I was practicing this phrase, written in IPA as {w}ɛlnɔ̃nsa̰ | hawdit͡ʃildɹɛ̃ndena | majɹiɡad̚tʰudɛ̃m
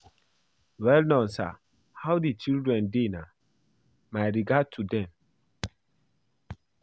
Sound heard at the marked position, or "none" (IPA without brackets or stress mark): w